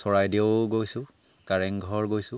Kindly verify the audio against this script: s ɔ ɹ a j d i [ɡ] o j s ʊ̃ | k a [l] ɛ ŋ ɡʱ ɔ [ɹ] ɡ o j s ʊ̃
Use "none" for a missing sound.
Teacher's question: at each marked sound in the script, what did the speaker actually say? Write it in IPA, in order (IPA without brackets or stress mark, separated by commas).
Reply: ɡ, ɹ, ɹ